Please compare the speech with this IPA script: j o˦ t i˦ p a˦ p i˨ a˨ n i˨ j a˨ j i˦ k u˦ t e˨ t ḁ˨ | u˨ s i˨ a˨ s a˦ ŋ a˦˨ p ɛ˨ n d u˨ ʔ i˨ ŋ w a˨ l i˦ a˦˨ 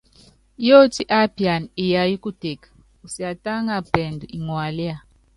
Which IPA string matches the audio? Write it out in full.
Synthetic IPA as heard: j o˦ t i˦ ʔ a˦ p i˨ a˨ n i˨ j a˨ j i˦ k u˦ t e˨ k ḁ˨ | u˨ s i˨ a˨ t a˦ ŋ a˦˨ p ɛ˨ n d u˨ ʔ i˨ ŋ w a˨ l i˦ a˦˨